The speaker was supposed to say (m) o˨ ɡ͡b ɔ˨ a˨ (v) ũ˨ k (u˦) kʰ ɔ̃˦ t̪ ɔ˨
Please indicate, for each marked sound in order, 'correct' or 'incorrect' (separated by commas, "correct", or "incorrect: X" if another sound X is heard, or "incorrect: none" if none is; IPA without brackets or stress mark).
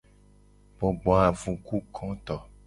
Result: incorrect: b, correct, correct